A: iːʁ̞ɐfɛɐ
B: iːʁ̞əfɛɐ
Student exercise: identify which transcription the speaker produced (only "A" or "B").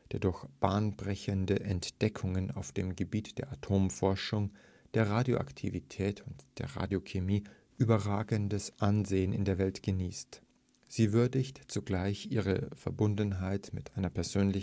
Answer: B